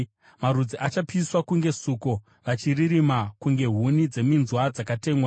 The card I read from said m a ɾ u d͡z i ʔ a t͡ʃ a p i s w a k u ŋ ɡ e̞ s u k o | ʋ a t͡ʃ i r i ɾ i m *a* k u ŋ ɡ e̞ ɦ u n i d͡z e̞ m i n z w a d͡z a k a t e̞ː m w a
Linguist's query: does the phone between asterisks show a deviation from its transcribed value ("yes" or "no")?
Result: no